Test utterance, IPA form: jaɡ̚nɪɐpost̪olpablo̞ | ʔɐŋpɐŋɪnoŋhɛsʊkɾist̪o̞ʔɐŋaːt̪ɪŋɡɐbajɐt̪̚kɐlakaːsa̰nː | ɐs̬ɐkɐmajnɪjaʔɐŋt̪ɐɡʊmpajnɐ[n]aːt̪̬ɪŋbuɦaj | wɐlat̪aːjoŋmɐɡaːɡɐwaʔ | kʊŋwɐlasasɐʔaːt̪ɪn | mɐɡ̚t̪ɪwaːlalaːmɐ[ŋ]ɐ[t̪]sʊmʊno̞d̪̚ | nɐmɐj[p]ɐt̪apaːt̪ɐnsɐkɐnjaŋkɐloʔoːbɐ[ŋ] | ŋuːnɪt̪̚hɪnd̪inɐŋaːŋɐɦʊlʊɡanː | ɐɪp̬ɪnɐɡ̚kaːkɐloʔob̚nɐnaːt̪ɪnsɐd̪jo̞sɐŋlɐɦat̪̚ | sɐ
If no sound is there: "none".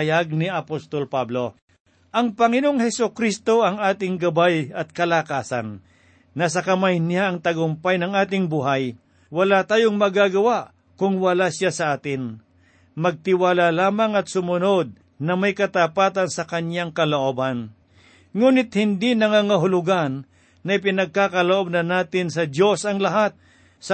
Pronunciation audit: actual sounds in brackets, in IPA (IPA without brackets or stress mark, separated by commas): ŋ, ŋ, t̪, k, n